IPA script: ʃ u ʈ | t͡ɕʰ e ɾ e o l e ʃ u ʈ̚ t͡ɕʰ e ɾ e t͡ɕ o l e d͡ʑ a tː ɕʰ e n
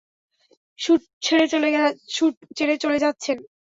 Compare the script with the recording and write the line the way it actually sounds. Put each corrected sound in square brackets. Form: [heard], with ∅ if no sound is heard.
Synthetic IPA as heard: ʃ u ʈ | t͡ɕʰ e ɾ e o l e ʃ u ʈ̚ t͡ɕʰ e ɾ e t͡ɕ o l e d͡ʑ a tː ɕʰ e n

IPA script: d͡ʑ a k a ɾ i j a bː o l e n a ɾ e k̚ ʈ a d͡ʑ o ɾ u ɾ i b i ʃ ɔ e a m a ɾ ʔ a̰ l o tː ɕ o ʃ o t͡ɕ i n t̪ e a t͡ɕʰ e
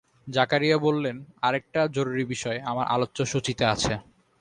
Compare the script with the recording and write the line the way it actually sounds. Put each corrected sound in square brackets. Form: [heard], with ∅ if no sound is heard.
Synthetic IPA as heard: d͡ʑ a k a ɾ i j a [b] o [lː] e n a ɾ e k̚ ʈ a d͡ʑ o ɾ u ɾ i b i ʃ ɔ e a m a ɾ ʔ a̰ l o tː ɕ o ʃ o t͡ɕ i [∅] t̪ e a t͡ɕʰ e

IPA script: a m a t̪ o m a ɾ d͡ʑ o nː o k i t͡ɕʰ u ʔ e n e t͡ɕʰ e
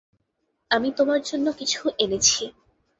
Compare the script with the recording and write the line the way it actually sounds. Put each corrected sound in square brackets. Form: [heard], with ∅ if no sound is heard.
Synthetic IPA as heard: a m [i] t̪ o m a ɾ d͡ʑ o nː o k i t͡ɕʰ u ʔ e n e t͡ɕʰ [i]

